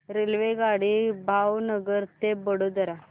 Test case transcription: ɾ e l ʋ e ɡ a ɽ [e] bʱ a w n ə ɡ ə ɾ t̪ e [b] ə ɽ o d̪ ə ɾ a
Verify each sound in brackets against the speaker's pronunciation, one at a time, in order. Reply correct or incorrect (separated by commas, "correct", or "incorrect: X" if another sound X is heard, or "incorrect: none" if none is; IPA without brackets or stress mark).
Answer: incorrect: i, correct